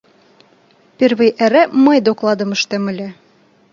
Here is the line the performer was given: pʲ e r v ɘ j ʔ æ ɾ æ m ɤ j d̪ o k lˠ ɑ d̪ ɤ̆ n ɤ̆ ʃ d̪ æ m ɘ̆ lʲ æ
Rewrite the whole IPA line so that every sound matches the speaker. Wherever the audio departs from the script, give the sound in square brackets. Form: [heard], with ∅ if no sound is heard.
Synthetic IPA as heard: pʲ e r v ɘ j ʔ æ ɾ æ m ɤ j d̪ o k lˠ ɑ d̪ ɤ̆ [m] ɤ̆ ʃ [t̪] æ m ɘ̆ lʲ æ